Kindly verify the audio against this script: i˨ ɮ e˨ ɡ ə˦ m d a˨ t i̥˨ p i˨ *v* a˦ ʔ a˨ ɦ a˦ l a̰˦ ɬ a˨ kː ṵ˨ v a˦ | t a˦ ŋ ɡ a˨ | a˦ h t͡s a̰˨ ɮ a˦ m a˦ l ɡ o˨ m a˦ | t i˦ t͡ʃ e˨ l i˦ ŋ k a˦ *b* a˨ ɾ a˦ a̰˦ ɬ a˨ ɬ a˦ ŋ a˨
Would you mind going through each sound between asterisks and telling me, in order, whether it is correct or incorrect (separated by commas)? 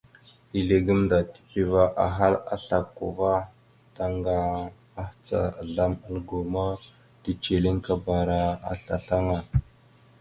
correct, correct